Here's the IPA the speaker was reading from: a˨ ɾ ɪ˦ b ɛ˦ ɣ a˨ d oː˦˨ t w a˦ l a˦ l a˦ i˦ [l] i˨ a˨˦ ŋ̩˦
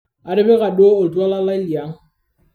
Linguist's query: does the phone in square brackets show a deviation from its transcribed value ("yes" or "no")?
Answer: no